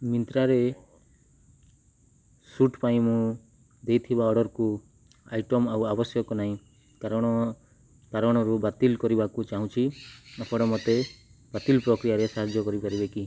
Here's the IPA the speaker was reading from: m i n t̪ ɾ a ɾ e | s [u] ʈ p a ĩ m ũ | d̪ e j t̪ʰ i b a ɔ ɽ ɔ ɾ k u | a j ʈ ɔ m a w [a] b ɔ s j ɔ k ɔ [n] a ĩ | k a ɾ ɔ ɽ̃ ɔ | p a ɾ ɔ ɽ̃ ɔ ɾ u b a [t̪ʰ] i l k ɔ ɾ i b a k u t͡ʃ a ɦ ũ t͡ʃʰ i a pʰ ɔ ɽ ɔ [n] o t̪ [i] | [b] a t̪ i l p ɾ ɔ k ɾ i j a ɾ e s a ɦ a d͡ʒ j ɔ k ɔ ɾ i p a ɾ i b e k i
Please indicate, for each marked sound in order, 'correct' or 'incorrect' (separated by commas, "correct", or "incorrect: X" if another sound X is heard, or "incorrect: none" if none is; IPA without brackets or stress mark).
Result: correct, correct, correct, incorrect: t̪, incorrect: m, incorrect: e, correct